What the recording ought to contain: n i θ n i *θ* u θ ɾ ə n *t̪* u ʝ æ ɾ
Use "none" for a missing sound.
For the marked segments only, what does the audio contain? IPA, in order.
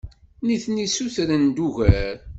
s, d̪

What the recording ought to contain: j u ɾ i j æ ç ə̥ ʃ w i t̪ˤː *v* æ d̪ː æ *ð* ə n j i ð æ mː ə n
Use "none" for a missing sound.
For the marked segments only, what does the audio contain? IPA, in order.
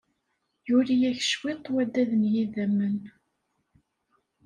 w, ð

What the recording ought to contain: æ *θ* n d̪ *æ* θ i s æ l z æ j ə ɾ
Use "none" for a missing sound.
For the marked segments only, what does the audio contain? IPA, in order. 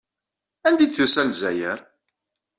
none, i

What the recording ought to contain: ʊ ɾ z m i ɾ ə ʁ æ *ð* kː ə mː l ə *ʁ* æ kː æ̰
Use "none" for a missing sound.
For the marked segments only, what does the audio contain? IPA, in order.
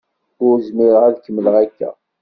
ð, ʁ

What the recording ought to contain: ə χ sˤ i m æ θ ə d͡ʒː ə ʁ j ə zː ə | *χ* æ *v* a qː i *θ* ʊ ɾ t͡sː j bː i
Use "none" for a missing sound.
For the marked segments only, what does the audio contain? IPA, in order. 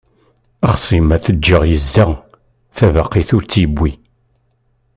θ, v, θ

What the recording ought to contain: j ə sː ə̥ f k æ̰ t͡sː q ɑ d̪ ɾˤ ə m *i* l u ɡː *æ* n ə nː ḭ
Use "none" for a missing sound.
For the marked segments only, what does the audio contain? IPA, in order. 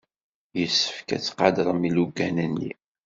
i, æ

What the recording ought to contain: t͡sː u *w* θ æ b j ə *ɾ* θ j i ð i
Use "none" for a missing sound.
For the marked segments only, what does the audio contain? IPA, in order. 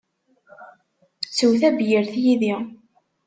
w, ɾ

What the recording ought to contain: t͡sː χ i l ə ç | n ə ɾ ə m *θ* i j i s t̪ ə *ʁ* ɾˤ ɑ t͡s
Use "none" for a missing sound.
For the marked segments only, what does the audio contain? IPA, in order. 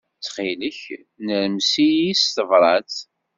s, v

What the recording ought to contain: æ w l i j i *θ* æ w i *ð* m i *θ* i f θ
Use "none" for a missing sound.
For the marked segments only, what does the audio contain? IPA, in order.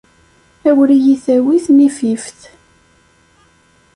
θ, θ, f

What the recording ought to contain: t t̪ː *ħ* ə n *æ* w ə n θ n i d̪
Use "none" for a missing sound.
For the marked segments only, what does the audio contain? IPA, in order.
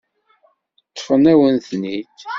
f, æ

